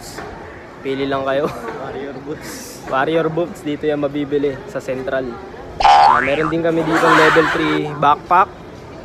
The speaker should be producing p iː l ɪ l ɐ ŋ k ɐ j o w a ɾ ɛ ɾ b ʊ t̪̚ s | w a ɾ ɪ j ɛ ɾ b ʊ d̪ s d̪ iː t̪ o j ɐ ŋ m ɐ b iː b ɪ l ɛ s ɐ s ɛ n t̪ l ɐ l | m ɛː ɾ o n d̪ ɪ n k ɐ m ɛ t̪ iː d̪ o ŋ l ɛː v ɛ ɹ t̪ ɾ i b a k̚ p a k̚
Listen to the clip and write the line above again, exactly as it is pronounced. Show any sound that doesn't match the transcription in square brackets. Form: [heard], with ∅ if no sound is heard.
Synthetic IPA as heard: p iː l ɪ l ɐ ŋ k ɐ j o w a ɾ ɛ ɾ b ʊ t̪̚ s | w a ɾ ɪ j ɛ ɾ b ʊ [t̪] s d̪ iː t̪ o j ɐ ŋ m ɐ b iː b ɪ l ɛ s ɐ s ɛ n t̪ [ɾ] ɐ l | m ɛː ɾ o n d̪ ɪ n k ɐ m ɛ [d̪] iː [t̪] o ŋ l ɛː [b] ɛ [l] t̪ ɾ i b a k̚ p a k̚